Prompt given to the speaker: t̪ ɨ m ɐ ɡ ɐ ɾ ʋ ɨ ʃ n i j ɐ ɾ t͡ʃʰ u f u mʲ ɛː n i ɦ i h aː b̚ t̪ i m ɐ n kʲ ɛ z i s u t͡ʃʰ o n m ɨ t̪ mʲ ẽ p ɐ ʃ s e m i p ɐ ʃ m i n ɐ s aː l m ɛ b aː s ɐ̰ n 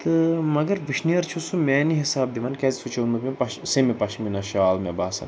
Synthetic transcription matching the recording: t̪ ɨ m ɐ ɡ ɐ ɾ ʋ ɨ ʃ n i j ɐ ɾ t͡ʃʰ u s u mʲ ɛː n i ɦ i s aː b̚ d̪ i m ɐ n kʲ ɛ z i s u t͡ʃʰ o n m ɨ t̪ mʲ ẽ p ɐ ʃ s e m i p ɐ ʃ m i n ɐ ʃ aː l m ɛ b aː s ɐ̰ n